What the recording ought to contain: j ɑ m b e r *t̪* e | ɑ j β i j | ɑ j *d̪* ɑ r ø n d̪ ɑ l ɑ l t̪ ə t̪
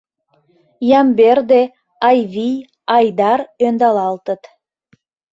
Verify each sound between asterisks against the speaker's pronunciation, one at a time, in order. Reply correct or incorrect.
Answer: incorrect: d̪, correct

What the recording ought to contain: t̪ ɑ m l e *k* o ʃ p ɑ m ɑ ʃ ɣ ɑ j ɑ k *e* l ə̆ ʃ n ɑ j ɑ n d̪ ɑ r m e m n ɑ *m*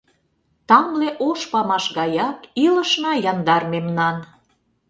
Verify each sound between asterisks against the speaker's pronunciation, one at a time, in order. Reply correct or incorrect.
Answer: incorrect: ʔ, incorrect: i, incorrect: n

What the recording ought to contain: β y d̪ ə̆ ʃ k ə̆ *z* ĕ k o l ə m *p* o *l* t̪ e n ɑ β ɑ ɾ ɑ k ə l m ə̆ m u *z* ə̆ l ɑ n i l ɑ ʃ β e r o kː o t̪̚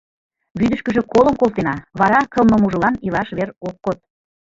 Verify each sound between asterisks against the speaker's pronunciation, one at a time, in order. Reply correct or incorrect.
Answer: incorrect: ʒ, incorrect: k, correct, incorrect: ʒ

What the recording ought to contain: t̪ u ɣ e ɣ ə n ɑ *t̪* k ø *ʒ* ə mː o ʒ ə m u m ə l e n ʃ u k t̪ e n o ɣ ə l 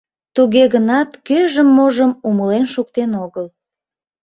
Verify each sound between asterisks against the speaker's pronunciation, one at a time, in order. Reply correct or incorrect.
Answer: correct, correct

